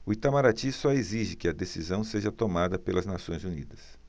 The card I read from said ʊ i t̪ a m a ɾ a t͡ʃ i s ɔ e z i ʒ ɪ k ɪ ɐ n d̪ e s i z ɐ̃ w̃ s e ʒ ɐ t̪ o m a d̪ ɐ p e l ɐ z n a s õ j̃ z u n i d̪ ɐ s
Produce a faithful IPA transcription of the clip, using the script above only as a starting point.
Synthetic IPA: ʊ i t̪ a m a ɾ a t͡ʃ i s ɔ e z i ʒ ɪ k ɪ ɐ d̪ e s i z ɐ̃ w̃ s e ʒ ɐ t̪ o m a d̪ ɐ p e l ɐ z n a s õ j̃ z u n i d̪ ɐ s